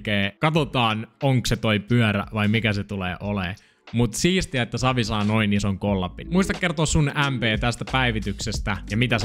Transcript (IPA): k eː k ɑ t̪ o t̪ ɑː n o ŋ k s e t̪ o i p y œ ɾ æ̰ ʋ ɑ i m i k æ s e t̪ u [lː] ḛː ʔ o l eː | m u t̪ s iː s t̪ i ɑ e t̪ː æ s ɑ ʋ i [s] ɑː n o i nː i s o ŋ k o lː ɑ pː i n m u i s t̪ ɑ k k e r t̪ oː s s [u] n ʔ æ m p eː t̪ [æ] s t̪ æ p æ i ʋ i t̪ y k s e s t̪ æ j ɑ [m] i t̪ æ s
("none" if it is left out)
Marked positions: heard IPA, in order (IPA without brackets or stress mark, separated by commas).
l, s, u, æ, m